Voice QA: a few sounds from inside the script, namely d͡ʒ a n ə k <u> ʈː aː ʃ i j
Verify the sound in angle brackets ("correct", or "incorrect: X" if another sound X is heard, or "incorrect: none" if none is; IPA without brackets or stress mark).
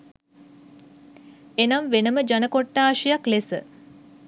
incorrect: o